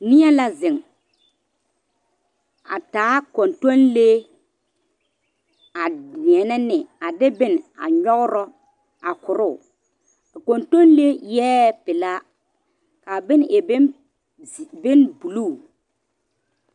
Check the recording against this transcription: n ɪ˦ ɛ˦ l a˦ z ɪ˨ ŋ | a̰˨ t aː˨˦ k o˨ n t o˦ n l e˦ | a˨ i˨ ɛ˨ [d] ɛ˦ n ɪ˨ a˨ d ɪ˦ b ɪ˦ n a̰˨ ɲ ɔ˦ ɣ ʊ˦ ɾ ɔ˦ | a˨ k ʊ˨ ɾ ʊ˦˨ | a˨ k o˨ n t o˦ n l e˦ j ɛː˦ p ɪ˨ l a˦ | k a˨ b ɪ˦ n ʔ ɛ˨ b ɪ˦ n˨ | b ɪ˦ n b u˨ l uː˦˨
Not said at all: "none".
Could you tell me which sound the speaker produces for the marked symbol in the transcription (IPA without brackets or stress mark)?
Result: n